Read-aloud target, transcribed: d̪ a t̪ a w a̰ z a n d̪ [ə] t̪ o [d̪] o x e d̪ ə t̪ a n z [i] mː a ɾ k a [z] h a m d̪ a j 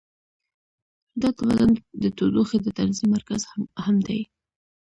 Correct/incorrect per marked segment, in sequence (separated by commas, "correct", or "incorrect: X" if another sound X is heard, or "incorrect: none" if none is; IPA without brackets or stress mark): correct, correct, correct, correct